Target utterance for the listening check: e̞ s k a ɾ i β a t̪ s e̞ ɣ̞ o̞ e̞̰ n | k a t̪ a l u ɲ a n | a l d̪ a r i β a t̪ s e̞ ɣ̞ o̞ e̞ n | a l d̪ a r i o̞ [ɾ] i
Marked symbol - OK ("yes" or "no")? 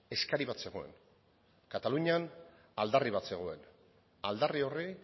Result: no